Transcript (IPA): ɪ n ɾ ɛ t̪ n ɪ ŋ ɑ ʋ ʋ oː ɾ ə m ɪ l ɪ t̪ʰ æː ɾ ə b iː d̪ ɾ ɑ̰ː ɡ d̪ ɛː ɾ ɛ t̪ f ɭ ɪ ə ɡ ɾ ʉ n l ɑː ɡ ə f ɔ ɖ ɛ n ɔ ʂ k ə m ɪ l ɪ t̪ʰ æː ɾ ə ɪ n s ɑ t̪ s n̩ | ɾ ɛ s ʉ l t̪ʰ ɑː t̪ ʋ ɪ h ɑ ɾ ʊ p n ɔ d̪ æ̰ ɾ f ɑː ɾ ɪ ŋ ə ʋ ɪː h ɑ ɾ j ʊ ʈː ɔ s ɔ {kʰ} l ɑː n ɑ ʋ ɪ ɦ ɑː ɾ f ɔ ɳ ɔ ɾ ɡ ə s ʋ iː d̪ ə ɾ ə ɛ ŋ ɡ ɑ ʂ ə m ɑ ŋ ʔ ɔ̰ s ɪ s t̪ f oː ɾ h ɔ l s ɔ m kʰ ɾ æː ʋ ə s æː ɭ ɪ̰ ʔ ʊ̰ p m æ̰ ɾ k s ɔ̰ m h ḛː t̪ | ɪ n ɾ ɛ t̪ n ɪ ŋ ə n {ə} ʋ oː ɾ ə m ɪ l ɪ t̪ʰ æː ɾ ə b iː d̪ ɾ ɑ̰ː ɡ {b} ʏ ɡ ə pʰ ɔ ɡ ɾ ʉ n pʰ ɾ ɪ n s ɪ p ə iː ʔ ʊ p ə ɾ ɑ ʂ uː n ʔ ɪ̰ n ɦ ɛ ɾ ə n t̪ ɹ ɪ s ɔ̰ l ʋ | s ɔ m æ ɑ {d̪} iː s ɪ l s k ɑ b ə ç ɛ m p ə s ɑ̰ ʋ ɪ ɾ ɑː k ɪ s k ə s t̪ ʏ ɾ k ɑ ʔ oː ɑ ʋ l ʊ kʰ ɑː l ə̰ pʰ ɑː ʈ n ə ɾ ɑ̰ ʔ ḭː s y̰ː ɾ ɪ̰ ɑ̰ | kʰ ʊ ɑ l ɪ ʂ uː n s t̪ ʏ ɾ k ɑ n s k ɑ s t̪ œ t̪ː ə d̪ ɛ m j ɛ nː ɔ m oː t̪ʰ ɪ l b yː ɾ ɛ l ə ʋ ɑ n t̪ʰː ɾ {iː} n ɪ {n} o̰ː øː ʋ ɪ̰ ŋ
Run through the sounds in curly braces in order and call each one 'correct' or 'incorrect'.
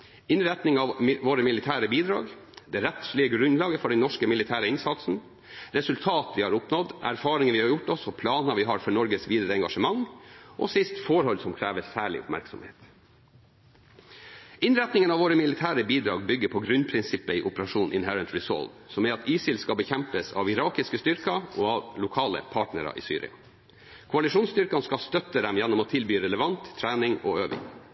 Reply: incorrect: pʰ, incorrect: ɑ, correct, incorrect: t̪, incorrect: æː, incorrect: ŋ

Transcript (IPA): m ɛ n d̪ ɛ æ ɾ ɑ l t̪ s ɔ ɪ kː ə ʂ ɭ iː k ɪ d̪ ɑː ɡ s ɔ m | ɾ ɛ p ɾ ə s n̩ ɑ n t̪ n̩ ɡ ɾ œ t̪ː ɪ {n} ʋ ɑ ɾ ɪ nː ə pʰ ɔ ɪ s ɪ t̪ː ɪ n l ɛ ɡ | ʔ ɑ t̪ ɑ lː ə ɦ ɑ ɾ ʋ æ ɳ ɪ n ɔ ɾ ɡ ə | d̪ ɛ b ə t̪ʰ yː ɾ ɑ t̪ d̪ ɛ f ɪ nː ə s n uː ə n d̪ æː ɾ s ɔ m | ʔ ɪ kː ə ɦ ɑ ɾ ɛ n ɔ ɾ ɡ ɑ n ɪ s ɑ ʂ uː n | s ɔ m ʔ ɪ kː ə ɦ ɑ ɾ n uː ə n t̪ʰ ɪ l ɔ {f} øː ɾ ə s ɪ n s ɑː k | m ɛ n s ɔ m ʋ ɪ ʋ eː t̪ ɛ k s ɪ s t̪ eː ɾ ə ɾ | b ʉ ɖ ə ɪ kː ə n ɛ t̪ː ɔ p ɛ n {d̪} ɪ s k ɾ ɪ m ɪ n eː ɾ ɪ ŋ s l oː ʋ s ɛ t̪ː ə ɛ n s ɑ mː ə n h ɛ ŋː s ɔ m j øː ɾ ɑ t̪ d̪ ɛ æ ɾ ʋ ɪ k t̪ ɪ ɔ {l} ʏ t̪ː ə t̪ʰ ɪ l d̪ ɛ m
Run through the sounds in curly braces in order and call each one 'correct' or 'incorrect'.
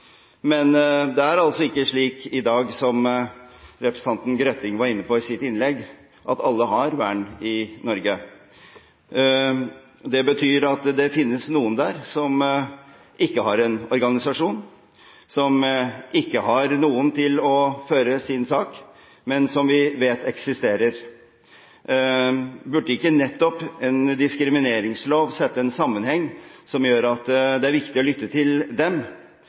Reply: incorrect: ŋ, correct, correct, correct

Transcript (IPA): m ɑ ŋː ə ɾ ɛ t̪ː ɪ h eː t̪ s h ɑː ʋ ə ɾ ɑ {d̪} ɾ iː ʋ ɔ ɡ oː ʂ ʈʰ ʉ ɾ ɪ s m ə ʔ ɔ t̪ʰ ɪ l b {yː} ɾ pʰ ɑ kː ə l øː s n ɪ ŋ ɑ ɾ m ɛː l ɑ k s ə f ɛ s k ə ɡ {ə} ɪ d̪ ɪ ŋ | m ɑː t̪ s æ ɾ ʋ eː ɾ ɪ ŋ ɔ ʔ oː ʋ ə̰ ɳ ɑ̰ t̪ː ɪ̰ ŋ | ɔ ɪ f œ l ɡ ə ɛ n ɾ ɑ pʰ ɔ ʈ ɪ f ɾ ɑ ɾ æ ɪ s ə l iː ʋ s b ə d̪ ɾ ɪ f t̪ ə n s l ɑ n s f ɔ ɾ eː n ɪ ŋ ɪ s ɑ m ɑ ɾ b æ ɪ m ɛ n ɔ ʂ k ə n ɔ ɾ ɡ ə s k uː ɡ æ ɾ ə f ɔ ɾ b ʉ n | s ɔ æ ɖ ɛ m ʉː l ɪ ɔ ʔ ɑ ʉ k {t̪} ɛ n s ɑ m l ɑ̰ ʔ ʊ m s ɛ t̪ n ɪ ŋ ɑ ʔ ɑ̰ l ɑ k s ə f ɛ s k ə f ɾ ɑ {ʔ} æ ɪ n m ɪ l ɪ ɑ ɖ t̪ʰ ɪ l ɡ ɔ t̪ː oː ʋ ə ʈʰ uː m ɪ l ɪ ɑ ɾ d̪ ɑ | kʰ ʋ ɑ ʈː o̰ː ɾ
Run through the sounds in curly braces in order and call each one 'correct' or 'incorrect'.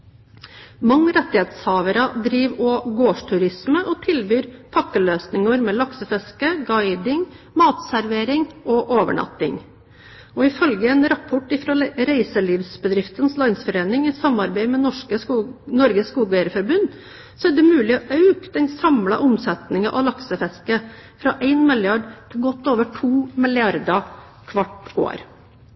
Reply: correct, correct, incorrect: ɑ, incorrect: d̪, correct

